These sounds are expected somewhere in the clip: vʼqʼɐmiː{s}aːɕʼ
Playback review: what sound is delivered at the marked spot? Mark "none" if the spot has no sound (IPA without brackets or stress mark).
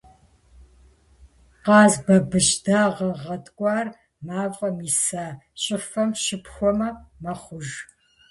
s